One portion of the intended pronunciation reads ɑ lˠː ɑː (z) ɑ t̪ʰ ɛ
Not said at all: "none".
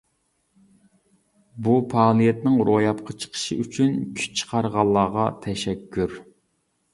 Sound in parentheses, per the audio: ʁ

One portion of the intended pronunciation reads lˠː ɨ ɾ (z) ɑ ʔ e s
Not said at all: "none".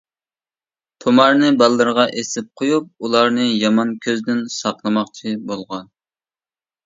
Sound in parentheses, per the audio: ʁ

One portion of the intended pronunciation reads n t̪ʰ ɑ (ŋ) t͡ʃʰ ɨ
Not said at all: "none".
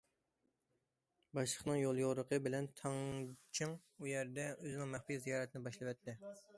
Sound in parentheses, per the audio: ŋ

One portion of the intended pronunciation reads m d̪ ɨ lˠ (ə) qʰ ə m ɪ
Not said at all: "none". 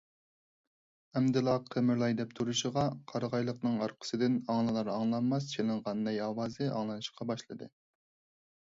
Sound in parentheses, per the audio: ɑ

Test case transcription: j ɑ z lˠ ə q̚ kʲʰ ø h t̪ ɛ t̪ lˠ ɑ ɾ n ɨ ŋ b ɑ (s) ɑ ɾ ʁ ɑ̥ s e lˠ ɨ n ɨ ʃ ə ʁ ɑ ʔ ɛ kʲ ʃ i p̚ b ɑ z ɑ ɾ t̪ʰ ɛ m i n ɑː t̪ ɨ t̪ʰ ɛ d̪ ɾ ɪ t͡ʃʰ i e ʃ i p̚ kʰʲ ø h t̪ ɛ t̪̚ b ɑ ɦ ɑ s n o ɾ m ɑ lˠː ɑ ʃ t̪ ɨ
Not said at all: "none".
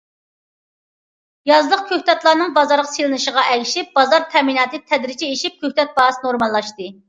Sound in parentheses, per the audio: z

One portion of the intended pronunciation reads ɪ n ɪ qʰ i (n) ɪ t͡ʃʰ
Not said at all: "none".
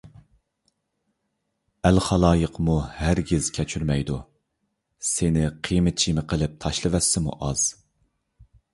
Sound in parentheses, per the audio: m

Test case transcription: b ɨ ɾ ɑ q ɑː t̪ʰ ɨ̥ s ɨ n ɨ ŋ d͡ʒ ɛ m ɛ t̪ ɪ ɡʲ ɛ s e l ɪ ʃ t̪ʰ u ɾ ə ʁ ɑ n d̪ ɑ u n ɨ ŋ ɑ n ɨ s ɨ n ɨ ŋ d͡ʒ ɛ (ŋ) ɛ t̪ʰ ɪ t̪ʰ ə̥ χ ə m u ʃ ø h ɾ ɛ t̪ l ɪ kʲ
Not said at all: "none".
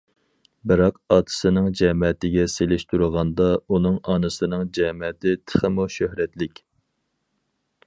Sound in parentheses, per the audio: m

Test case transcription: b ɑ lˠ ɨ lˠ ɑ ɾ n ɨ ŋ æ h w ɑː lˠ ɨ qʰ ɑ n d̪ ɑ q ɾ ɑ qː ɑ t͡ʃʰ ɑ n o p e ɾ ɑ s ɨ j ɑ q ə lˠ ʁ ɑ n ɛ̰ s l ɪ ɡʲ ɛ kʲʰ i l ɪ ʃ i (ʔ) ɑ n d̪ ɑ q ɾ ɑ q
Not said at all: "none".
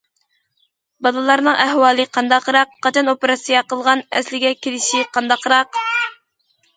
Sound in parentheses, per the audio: q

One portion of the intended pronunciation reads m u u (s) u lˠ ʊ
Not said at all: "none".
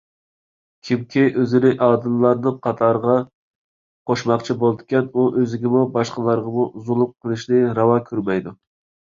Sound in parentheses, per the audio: z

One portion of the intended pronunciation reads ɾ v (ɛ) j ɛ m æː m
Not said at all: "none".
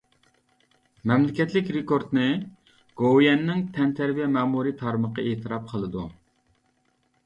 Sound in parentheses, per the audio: i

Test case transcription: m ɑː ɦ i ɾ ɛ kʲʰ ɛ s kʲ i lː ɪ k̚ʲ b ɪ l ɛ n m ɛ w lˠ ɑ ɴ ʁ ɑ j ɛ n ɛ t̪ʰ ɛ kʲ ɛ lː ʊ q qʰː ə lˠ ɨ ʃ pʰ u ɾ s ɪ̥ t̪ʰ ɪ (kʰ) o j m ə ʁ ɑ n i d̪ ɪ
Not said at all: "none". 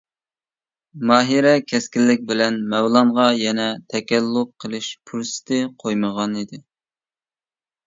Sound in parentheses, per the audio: qʰ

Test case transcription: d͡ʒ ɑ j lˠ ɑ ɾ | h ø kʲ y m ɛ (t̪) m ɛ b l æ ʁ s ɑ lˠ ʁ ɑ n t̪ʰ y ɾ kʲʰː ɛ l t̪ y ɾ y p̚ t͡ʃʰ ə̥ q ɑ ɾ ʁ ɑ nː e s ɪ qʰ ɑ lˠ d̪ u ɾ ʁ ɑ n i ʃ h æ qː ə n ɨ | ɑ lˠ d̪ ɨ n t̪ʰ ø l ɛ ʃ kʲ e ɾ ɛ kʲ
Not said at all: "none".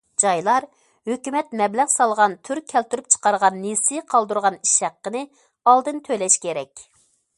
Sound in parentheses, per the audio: t̪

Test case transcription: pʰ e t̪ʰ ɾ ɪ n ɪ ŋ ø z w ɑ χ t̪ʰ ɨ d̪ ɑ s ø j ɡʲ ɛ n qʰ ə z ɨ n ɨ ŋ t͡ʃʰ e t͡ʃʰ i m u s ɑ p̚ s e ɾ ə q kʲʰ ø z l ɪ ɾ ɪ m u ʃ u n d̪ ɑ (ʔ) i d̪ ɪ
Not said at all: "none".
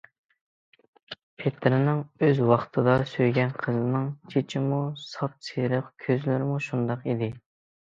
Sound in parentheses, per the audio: q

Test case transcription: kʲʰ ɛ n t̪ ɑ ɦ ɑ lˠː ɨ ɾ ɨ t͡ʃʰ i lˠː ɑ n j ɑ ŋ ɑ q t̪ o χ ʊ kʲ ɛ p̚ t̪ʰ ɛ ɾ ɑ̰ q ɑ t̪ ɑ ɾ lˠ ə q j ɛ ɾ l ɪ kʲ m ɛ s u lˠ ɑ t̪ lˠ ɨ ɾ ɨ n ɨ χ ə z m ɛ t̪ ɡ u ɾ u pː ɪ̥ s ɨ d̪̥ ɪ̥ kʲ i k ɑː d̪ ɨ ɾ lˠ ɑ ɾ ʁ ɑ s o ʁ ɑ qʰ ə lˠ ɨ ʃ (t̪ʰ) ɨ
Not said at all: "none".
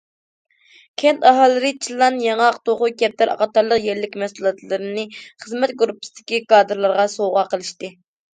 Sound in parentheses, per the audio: t̪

